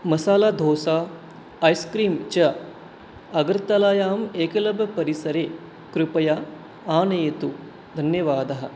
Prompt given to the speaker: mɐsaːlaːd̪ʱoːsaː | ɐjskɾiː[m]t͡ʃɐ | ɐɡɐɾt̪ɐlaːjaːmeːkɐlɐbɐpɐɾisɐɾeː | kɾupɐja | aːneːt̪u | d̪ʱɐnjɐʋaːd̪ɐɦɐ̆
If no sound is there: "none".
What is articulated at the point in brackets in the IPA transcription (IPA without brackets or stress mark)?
m